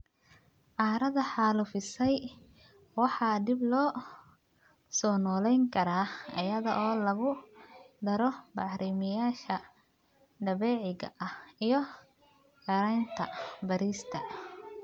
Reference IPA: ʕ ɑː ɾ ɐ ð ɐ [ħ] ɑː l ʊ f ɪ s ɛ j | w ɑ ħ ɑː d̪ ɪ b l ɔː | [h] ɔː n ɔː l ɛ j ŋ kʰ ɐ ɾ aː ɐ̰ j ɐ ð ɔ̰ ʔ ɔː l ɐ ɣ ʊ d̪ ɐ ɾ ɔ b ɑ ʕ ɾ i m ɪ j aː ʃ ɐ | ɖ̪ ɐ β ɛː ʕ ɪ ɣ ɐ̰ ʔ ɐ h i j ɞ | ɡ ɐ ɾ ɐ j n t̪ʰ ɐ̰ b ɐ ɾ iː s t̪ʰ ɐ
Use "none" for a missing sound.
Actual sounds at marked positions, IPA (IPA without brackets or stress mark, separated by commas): ħ, s